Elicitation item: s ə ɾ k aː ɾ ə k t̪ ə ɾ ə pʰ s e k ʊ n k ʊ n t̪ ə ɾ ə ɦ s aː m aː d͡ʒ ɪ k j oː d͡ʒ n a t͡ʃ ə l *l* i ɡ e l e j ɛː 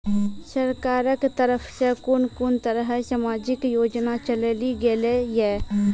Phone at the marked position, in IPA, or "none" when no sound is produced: l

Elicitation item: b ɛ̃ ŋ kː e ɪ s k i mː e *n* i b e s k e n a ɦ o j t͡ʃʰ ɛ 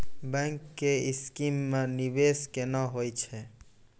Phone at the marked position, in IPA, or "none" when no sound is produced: n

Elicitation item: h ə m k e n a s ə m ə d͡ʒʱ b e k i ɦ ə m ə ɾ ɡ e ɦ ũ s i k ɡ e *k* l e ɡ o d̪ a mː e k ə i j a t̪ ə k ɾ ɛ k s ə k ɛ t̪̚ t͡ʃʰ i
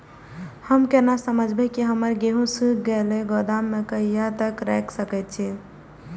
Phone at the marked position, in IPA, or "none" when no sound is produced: none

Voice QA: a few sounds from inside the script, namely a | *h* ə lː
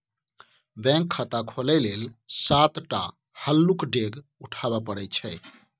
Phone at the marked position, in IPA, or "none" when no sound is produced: h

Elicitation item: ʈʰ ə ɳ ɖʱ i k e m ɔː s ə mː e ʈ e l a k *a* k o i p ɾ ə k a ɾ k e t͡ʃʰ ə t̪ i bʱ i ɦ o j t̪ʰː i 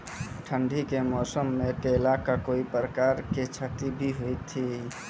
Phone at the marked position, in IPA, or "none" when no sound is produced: a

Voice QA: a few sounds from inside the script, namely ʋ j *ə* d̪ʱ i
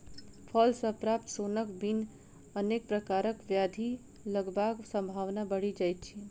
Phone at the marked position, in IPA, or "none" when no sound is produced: a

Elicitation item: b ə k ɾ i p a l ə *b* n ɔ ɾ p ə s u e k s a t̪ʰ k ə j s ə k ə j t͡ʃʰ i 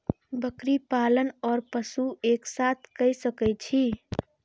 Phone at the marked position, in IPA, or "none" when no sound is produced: none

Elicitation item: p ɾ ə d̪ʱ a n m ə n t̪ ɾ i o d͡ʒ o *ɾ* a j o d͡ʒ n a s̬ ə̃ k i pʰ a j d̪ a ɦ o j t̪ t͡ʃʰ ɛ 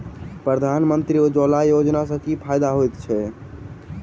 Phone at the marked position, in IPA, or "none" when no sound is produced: l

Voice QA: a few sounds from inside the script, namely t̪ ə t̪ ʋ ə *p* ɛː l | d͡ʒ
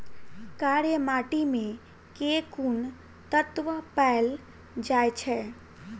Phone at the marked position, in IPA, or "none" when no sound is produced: p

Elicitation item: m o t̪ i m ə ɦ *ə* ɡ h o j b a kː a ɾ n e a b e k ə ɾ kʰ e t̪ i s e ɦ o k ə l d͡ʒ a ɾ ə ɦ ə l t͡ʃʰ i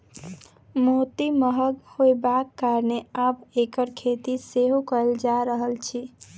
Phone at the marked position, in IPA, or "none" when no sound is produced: ə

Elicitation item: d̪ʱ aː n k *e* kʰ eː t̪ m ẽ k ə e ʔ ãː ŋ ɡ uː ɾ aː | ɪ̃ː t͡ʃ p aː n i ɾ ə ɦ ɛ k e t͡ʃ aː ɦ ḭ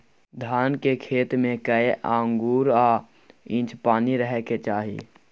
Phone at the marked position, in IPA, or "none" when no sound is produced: e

